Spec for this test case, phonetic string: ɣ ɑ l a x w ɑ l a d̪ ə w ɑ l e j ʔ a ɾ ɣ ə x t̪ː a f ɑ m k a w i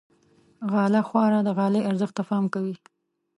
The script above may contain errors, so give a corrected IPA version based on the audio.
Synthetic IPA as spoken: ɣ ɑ l a x w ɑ ɾ a d̪ ə ɣ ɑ l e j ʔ a ɾ z ə x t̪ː a f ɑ m k a w i